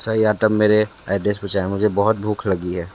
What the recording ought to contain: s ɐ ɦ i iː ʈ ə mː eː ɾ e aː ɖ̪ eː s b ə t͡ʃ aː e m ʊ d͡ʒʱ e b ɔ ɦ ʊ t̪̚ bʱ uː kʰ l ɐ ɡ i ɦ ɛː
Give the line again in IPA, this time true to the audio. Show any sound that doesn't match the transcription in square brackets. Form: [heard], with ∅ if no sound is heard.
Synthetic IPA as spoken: s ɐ ɦ i [aː] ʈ ə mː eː ɾ e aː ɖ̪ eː s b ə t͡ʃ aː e m ʊ d͡ʒʱ e b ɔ ɦ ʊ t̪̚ bʱ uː kʰ l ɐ ɡ i ɦ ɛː

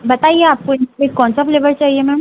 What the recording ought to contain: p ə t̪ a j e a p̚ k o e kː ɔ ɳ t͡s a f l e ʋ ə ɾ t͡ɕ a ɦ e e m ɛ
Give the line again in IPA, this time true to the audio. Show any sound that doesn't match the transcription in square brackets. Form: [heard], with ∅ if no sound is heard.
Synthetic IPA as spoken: [b] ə t̪ a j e a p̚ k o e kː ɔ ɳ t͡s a f l e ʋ ə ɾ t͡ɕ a ɦ [i] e m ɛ

